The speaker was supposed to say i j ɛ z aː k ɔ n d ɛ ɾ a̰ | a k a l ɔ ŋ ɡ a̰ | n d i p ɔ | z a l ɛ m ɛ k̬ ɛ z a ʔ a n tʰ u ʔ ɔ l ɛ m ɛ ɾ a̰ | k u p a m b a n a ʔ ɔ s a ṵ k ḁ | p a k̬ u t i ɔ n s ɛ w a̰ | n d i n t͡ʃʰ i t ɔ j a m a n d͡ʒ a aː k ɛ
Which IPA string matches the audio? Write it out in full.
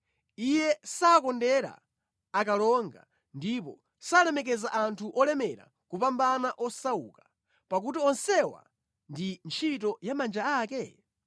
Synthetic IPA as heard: i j ɛ s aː k ɔ n d ɛ ɾ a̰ | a k a l ɔ ŋ ɡ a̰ | n d i p ɔ | s a l ɛ m ɛ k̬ ɛ z a ʔ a n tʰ u ʔ ɔ l ɛ m ɛ ɾ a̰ | k u p a m b a n a ʔ ɔ s a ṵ k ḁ | p a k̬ u t i ɔ n s ɛ w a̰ | n d i n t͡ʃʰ i t ɔ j a m a n d͡ʒ a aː k ɛ